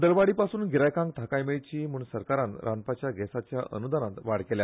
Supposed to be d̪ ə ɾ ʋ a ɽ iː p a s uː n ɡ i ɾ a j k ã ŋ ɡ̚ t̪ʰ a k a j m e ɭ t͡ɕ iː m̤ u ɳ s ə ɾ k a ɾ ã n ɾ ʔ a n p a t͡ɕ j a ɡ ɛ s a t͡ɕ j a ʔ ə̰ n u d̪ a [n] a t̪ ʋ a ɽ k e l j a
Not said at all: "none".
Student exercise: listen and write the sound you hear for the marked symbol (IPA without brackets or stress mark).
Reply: n